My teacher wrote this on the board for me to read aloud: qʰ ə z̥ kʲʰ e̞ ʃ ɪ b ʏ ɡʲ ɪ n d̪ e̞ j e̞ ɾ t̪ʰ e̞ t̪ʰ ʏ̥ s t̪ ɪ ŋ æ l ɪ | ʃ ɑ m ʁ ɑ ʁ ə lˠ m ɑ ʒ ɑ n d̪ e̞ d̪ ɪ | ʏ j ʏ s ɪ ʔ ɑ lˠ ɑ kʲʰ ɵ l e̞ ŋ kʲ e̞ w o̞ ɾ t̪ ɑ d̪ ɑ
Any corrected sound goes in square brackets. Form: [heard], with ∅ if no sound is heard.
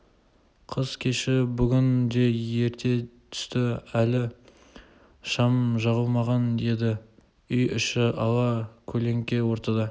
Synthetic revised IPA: qʰ ə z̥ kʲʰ e̞ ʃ ɪ b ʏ ɡʲ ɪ n d̪ e̞ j e̞ ɾ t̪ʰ e̞ t̪ʰ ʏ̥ s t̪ ɪ [∅] æ l ɪ | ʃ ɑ m [ʒ] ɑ ʁ ə lˠ m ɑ [ʁ] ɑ n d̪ e̞ d̪ ɪ | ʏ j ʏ [ʃ] ɪ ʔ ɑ lˠ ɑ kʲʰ ɵ l e̞ ŋ kʲ e̞ w o̞ ɾ t̪ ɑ d̪ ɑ